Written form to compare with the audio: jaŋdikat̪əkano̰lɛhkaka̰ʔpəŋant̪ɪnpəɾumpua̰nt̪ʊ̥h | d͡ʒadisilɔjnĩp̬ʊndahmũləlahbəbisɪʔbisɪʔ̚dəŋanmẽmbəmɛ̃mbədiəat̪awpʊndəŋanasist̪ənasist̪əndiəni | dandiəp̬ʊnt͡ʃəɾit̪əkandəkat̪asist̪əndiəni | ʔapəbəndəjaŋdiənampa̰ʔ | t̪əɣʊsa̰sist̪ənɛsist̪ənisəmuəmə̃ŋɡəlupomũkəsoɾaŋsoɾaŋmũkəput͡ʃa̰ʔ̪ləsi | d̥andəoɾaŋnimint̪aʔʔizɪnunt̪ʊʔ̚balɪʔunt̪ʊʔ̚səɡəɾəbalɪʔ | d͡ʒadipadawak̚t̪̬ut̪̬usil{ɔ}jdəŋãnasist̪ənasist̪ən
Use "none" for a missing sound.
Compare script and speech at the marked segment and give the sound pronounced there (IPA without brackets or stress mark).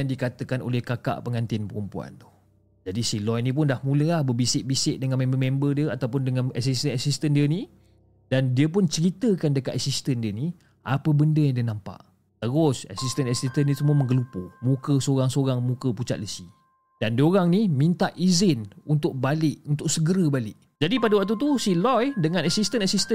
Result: ɔ